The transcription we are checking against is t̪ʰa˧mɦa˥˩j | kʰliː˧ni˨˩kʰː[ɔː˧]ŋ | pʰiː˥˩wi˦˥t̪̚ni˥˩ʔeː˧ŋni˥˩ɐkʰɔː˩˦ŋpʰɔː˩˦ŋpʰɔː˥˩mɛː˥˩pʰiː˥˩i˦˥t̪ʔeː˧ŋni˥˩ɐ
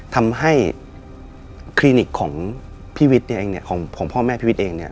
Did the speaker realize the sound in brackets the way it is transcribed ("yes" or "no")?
no